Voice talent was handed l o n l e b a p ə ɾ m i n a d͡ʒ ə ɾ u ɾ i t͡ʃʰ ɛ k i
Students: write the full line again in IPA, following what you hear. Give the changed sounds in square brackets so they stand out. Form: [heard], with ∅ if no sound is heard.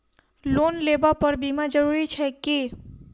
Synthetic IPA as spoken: l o n l e b a p ə ɾ [b] i [m] a d͡ʒ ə ɾ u ɾ i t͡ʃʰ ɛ k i